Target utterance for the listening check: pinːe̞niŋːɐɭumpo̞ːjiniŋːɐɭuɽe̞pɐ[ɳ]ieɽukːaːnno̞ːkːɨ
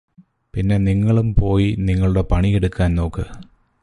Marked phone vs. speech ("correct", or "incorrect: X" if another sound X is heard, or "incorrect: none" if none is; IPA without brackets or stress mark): correct